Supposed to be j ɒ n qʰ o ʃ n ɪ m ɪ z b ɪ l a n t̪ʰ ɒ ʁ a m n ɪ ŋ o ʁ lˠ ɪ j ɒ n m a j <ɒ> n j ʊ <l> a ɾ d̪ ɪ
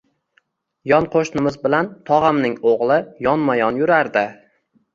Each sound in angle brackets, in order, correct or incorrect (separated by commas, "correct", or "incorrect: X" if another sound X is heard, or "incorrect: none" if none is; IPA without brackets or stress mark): correct, incorrect: ɾ